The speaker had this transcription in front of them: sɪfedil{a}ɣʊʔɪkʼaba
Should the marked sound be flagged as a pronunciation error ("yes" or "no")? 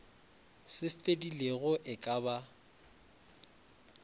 yes